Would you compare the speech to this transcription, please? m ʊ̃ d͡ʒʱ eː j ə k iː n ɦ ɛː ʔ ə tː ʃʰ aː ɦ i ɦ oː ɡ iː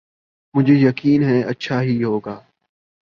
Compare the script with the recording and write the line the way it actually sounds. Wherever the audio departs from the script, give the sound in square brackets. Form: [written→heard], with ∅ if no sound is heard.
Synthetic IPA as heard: m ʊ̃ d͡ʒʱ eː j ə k iː n ɦ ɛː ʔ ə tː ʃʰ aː ɦ i ɦ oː ɡ [iː→aː]